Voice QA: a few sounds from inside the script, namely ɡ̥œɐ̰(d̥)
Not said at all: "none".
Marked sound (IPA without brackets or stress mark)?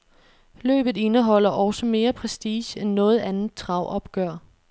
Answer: none